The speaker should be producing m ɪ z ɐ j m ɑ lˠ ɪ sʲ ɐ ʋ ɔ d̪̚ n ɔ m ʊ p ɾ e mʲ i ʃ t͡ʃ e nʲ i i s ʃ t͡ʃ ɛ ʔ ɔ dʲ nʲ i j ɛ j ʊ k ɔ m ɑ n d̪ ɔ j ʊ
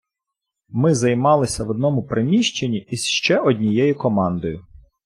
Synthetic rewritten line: m ɪ z ɐ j m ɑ lˠ ɪ sʲ ɐ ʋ ɔ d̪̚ n ɔ m ʊ p ɾ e mʲ i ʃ t͡ʃ e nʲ i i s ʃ t͡ʃ ɛ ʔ ɔ dʲ nʲ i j ɛ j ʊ k ɔ m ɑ n d̪ ɔ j ʊ